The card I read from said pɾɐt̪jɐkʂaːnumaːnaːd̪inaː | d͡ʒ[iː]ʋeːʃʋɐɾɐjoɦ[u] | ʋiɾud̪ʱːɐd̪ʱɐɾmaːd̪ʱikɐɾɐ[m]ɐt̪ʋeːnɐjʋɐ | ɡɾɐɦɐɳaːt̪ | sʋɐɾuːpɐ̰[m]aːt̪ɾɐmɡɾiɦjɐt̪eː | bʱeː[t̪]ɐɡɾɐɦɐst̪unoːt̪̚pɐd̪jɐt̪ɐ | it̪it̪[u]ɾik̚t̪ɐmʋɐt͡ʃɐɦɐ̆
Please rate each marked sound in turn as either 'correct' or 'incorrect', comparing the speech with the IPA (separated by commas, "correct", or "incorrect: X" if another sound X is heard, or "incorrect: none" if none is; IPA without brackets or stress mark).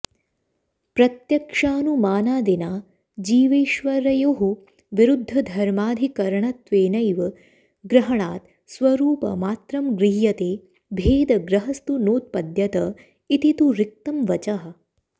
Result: correct, correct, incorrect: ɳ, correct, incorrect: d̪, correct